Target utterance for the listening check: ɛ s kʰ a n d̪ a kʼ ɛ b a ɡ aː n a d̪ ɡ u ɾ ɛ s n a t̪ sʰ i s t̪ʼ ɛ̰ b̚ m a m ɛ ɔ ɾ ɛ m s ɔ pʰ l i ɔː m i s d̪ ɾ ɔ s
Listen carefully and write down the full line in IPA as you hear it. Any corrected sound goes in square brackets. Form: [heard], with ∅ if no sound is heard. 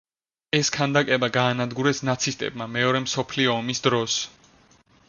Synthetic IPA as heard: ɛ s kʰ a n d̪ a kʼ ɛ b a ɡ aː n a d̪ ɡ u ɾ ɛ s n a t̪ sʰ i s t̪ʼ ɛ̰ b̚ m a m ɛ ɔ ɾ ɛ m s ɔ pʰ l i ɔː m i s d̪ ɾ ɔ s